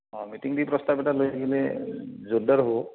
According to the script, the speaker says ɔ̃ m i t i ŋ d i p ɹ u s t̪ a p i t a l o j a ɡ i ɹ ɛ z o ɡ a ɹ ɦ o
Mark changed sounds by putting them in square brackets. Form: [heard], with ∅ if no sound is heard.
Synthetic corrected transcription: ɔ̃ m i t i ŋ d i p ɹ [ɔ] s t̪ a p [ɛ] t a l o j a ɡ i [l] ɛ z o [d] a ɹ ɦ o